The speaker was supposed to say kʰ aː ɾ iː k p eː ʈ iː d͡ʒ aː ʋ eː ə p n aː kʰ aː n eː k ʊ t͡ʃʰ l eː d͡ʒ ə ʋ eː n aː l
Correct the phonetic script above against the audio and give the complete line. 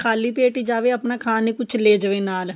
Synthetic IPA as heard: kʰ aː l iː p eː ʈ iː d͡ʒ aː ʋ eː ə p n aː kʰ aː n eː k ʊ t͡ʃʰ l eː d͡ʒ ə ʋ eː n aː l